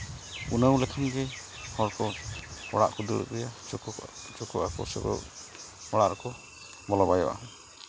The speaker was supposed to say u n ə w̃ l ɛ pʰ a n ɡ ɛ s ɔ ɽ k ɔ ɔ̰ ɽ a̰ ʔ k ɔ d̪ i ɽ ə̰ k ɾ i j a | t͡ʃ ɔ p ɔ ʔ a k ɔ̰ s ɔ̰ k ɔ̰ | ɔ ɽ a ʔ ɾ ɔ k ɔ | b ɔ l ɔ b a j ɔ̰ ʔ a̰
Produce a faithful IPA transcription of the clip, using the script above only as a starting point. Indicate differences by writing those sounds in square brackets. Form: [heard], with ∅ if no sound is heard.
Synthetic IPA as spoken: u n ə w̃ l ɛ [kʰ] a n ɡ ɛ [h] ɔ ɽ k ɔ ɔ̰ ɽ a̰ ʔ k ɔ d̪ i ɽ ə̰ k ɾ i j a | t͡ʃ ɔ [k] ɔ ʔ a k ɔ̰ s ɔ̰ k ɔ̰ | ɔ ɽ a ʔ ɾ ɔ k ɔ | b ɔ l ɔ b a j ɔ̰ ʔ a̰

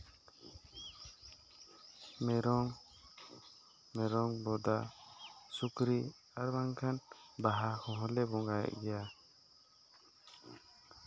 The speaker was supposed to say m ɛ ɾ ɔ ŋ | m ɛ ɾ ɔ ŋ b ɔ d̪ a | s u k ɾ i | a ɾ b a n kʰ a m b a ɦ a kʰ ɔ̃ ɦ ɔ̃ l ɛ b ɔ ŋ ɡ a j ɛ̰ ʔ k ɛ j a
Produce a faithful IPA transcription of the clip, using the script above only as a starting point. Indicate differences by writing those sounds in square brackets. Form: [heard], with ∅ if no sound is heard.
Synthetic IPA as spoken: m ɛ ɾ ɔ ŋ | m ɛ ɾ ɔ ŋ b ɔ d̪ a | s u k ɾ i | a ɾ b a [ŋ] kʰ a [n] b a ɦ a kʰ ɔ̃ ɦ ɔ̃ l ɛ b ɔ ŋ ɡ a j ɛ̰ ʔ [ɡ] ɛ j a

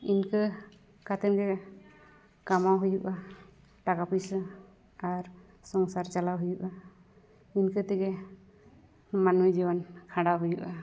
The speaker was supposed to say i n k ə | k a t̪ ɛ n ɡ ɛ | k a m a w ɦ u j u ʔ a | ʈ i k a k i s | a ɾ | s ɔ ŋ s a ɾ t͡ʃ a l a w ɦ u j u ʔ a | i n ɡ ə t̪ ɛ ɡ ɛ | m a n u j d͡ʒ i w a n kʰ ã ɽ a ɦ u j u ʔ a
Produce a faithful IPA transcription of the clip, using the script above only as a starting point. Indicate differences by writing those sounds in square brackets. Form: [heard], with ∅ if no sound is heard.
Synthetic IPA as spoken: i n k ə | k a t̪ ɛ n ɡ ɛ | k a m a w ɦ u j u ʔ a | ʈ [a] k a [p] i s | a ɾ | s ɔ ŋ s a ɾ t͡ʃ a l a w ɦ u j u ʔ a | i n [k] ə t̪ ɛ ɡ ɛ | m a n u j d͡ʒ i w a n kʰ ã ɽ a ɦ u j u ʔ a

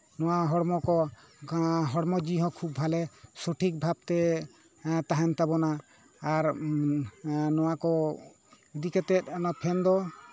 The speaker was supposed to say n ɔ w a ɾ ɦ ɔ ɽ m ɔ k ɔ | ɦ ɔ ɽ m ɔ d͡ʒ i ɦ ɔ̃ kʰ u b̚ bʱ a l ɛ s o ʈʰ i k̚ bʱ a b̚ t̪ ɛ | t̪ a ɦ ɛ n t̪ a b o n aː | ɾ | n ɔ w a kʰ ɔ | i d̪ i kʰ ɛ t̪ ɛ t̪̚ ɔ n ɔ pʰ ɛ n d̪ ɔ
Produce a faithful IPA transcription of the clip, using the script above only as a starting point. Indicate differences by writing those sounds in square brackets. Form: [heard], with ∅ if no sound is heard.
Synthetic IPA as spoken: n ɔ w a [∅] ɦ ɔ ɽ m ɔ k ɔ | ɦ ɔ ɽ m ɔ d͡ʒ i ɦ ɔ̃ kʰ u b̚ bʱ a l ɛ s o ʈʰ i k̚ bʱ a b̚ t̪ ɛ | t̪ a ɦ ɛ n t̪ a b [ɔ] n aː | ɾ | n ɔ w a [k] ɔ | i d̪ i [k] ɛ t̪ ɛ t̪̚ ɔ n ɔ pʰ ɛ n d̪ ɔ

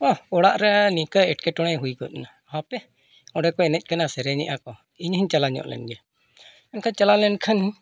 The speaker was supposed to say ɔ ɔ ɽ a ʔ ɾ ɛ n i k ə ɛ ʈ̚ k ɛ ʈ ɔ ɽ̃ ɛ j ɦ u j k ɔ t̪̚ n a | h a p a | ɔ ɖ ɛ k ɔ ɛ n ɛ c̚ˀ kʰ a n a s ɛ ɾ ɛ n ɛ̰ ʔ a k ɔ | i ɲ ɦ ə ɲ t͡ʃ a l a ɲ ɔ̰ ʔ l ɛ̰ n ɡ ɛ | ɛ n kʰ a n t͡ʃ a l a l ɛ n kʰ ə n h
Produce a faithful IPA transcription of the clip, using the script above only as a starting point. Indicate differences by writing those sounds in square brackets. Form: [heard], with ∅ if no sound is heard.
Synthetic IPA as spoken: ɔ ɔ ɽ a ʔ ɾ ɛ n i k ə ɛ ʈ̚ k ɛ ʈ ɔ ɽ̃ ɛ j ɦ u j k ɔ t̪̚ n a | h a p [ɛ] | ɔ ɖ ɛ k ɔ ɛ n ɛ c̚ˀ [k] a n a s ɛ ɾ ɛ [ɲ] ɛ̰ ʔ a k ɔ | i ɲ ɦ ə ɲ t͡ʃ a l a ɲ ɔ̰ ʔ l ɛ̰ n ɡ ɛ | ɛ n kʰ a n t͡ʃ a l a l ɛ n kʰ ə n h

